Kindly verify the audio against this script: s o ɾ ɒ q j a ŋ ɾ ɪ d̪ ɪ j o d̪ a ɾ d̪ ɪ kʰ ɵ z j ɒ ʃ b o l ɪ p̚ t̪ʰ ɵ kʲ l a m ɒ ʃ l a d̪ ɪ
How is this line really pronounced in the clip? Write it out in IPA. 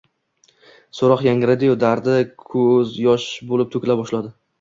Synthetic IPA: s o ɾ ɒ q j a ŋ ɾ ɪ d̪ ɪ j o d̪ a ɾ d̪ ɪ kʰ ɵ z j ɒ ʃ b o l ɪ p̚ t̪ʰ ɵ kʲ l a b ɒ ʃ l a d̪ ɪ